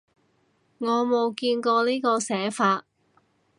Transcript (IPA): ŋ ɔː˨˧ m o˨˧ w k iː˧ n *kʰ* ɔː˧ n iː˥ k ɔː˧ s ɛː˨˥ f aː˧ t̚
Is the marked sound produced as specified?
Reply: no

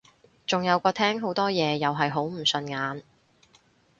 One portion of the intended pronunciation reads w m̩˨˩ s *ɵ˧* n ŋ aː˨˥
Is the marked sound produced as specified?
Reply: yes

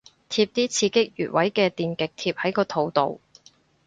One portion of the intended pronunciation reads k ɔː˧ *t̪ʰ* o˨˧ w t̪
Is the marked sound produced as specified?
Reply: yes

